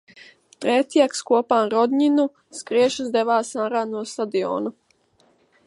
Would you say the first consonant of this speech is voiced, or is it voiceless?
voiceless